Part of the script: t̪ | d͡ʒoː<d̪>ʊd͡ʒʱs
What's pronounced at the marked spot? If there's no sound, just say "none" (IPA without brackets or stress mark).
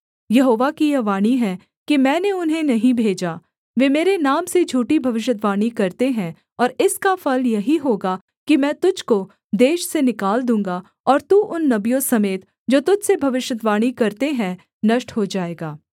t̪